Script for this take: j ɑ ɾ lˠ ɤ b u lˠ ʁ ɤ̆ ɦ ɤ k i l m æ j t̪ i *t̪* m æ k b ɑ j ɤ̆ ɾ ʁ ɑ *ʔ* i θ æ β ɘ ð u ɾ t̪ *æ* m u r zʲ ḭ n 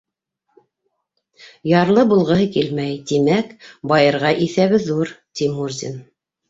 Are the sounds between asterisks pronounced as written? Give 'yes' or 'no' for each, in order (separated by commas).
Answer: no, yes, no